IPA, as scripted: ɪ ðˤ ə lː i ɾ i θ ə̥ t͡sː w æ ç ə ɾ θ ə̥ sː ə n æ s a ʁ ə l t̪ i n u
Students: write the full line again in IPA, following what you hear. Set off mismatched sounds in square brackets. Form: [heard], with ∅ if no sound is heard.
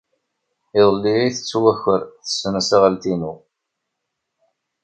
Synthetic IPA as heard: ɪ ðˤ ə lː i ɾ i θ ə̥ t͡sː w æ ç ə ɾ θ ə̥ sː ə n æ s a ʁ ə l t̪ i n u

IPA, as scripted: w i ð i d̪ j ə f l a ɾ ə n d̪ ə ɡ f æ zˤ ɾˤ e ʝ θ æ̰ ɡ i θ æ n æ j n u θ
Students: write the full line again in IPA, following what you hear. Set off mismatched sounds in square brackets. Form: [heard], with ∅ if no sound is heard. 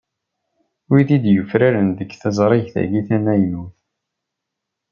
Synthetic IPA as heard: w i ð i d̪ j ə f [ɾ] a ɾ ə n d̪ ə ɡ [θ] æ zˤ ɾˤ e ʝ θ æ̰ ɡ i θ æ n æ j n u θ

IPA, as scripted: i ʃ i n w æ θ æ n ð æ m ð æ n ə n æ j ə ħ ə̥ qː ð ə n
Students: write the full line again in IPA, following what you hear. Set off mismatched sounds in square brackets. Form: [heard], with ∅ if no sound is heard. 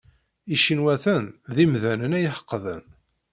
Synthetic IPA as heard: i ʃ i n w æ θ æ n ð [i] m ð æ n ə n æ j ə ħ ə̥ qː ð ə n

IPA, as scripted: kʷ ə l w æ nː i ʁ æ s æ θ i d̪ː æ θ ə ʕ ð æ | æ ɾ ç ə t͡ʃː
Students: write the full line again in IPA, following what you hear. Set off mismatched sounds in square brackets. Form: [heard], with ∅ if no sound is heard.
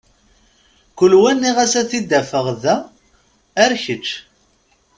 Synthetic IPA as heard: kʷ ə l w æ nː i ʁ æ s æ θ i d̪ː æ [f] ə [ʁ] ð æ | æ ɾ ç ə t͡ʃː

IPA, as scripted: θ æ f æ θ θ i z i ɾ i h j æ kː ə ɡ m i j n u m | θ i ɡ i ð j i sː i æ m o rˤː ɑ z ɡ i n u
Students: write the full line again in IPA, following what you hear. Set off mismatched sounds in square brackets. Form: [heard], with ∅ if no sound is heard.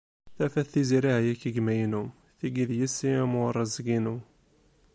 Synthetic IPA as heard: θ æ f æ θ θ i z i ɾ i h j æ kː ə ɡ m [æ] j n u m | θ i ɡ i ð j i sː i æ m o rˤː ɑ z ɡ i n u

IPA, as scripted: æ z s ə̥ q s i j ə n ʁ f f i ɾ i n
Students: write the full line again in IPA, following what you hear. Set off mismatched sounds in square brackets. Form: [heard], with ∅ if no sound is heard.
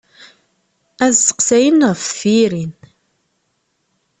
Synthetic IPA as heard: æ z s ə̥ q s [æ] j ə n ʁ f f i ɾ i n

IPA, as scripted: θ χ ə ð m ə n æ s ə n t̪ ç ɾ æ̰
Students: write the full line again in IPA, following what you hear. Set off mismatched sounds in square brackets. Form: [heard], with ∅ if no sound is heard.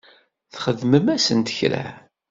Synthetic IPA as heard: θ χ ə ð m ə [m] æ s ə n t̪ ç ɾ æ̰

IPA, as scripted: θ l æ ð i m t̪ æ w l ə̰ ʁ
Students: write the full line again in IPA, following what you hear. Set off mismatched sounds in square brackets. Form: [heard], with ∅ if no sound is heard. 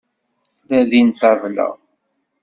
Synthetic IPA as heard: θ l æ ð i [n] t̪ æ [v] l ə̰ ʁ

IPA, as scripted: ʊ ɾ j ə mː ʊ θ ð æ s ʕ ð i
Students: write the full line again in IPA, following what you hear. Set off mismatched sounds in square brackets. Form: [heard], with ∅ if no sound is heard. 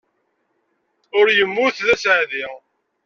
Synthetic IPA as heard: ʊ ɾ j ə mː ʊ θ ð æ s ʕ ð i

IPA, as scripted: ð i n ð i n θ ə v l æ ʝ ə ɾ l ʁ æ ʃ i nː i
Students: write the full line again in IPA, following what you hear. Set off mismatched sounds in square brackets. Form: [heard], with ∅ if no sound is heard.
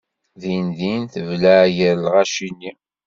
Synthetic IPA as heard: ð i n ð i n θ ə v l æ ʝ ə ɾ l ʁ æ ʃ i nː i

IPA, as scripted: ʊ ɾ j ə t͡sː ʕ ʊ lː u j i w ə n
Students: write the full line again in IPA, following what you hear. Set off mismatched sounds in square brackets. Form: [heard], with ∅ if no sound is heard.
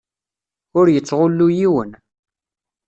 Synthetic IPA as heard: ʊ ɾ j ə t͡sː [ʁ] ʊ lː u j i w ə n

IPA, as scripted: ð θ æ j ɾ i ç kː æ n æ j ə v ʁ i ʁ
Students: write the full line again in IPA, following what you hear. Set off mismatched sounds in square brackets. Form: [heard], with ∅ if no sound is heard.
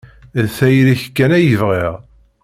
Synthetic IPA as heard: ð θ æ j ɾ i ç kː æ n æ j ə v ʁ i ʁ

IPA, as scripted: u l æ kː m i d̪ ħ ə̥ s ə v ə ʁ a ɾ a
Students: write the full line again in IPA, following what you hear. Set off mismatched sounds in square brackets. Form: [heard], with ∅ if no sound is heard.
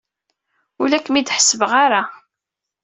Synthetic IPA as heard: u l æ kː m i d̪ ħ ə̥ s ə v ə ʁ a ɾ a

